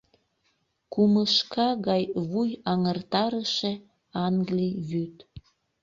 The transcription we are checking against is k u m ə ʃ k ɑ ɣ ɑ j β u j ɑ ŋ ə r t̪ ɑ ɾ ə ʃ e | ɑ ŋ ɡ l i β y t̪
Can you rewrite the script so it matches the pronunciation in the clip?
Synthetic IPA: k u m ə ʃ k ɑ ɣ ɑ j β u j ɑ ŋ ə r t̪ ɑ ɾ ə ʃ e | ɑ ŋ ɡ l i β y t̪